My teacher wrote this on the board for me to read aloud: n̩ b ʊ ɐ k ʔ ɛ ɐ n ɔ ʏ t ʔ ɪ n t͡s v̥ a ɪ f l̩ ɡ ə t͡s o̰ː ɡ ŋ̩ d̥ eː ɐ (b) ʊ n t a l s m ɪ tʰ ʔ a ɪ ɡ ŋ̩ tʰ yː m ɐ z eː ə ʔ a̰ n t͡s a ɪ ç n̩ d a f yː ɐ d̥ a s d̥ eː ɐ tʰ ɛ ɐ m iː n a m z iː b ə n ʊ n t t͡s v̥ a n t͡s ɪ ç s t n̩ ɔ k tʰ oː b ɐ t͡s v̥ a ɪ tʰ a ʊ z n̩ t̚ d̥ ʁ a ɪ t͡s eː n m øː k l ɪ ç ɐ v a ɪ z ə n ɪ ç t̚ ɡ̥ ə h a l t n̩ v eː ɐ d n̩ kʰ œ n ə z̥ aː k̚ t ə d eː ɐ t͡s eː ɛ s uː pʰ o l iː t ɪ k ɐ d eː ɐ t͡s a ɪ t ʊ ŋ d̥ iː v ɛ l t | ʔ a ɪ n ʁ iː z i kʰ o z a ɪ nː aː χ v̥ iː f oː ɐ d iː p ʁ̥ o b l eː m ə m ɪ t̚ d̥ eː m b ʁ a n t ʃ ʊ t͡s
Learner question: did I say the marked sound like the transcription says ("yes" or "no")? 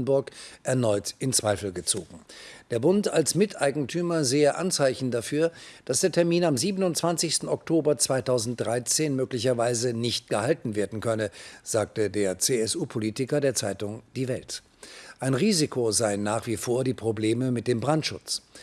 yes